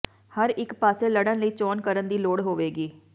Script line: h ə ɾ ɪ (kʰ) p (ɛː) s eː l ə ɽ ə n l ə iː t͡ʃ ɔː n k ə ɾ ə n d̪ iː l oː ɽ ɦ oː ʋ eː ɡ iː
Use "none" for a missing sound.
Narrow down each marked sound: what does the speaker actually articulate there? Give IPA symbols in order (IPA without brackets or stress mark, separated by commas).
k, aː